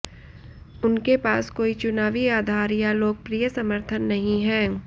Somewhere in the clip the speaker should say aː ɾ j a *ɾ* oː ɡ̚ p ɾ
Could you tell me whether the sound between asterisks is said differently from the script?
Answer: yes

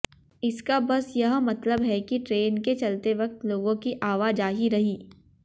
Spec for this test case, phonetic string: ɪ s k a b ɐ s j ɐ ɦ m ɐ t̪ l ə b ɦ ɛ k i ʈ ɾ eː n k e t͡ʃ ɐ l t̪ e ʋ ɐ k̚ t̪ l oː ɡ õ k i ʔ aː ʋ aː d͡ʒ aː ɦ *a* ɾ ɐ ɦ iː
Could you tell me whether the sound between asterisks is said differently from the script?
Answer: yes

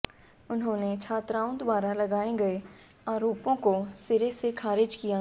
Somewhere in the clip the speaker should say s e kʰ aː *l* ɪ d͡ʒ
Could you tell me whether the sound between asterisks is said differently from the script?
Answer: yes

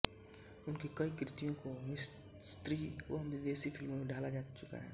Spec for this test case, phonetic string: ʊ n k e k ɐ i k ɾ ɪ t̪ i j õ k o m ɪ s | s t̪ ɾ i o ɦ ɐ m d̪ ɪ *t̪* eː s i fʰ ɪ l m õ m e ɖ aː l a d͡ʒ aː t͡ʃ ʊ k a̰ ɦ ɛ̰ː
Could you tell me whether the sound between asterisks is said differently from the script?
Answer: yes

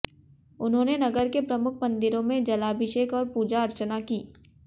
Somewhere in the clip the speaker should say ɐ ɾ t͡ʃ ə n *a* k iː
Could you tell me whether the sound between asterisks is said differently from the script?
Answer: no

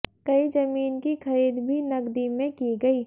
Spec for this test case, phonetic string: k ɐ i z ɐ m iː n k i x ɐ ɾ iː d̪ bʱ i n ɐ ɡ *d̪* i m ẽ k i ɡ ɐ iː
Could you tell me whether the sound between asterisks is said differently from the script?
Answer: no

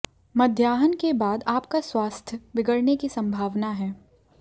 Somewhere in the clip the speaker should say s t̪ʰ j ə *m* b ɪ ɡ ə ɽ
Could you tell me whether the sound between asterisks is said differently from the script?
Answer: yes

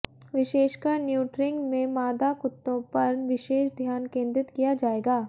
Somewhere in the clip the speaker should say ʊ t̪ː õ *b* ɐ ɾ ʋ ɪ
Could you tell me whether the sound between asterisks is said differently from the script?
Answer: yes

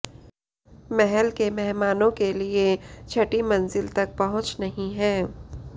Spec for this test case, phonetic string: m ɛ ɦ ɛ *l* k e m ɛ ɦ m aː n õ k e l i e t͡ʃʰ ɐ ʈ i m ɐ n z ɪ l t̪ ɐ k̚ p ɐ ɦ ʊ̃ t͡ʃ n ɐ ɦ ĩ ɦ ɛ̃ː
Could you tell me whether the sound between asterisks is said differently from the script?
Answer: no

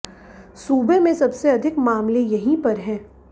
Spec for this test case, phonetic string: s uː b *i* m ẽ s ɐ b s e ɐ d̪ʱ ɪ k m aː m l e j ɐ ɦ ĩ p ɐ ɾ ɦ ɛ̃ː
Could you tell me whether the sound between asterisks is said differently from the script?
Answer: yes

